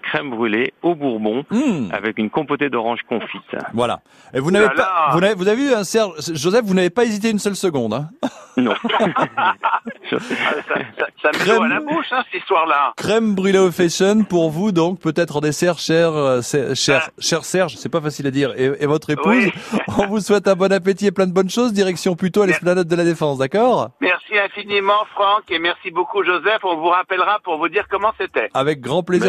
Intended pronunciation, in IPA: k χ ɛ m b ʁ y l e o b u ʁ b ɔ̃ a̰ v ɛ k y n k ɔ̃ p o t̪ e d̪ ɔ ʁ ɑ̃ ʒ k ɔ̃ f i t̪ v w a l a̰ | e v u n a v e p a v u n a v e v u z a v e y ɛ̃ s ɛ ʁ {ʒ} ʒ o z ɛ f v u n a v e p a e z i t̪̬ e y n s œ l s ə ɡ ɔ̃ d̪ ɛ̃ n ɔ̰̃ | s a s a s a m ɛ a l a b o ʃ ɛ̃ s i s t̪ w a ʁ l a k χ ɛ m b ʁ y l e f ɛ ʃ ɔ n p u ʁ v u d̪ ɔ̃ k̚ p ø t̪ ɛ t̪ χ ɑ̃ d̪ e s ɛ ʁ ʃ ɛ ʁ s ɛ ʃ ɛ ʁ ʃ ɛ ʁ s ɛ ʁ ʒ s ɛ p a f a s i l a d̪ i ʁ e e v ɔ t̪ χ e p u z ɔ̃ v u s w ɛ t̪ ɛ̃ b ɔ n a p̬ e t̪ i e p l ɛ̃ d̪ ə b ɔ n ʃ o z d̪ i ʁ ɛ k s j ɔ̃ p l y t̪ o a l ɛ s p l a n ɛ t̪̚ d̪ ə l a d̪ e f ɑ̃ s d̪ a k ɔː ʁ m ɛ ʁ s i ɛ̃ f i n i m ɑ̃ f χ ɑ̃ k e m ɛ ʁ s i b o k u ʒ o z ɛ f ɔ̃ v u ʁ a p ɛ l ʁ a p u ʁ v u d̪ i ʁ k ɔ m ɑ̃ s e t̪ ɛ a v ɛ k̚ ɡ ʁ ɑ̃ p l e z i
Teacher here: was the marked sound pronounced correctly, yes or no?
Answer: yes